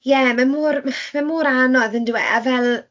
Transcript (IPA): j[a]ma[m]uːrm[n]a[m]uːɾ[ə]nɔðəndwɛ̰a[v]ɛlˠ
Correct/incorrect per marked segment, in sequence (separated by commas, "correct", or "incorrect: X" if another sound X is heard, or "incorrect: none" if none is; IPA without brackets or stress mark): incorrect: ɛ, correct, incorrect: m, correct, incorrect: a, correct